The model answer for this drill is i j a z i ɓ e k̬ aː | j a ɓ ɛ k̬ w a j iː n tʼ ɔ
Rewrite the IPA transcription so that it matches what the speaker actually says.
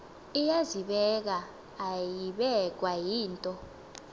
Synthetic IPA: i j a z i ɓ ɛ k̬ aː | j i ɓ ɛ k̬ w a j iː n tʼ ɔ